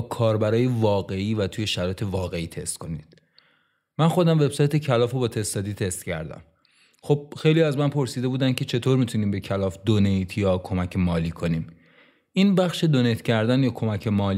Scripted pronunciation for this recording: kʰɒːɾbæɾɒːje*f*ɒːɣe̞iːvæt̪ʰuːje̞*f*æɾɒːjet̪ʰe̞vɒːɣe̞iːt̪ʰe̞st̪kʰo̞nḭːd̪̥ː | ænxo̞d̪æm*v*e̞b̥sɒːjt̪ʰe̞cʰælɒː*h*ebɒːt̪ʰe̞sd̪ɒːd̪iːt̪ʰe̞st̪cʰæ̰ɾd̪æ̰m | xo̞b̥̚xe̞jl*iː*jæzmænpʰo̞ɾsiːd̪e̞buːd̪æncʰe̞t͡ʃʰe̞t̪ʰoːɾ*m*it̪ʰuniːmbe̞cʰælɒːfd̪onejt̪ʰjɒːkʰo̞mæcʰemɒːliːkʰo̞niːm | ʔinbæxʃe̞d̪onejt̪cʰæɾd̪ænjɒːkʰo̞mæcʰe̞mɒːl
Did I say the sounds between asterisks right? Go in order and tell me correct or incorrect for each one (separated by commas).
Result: incorrect, incorrect, correct, incorrect, incorrect, correct